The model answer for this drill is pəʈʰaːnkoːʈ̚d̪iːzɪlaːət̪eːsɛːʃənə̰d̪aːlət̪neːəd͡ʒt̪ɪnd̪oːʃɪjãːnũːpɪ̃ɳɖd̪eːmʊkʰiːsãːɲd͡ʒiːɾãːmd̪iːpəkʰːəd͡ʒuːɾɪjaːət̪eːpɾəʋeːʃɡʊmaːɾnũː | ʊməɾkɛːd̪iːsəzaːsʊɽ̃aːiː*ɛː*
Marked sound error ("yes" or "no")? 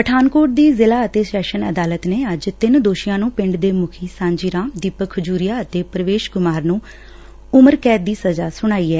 no